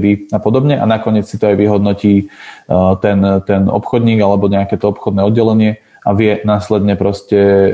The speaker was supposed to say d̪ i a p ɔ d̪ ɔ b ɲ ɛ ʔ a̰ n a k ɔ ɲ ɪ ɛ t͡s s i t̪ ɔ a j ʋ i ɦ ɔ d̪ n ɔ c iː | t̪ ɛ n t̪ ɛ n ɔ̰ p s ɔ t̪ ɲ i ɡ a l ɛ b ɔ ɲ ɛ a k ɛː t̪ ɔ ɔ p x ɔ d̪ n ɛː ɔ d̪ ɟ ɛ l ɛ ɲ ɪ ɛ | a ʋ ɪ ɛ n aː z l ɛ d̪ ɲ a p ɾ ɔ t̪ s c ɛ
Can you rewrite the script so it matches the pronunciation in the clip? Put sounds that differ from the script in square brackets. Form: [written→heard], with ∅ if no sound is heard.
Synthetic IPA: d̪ i a p ɔ d̪ ɔ b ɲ ɛ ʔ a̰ n a k ɔ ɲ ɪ ɛ t͡s s i t̪ ɔ a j ʋ i ɦ ɔ d̪ n ɔ c iː | t̪ ɛ n t̪ ɛ n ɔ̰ p [s→x] ɔ [t̪→d̪] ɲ [i→iː] ɡ a l ɛ b ɔ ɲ ɛ a k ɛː t̪ ɔ ɔ p x ɔ d̪ n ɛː ɔ d̪ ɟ ɛ l ɛ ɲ ɪ ɛ | a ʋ ɪ ɛ n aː [z→s] l ɛ d̪ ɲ [a→ɛ] p ɾ ɔ [t̪→∅] s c ɛ